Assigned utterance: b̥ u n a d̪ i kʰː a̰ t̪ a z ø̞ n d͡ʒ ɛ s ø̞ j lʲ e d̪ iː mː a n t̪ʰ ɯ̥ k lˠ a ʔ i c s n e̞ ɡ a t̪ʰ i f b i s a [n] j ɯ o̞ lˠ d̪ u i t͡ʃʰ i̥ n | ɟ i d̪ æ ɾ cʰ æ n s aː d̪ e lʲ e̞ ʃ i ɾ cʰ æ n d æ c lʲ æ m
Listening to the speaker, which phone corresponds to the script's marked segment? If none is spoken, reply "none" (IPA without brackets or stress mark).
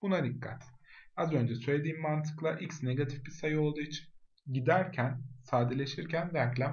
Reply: none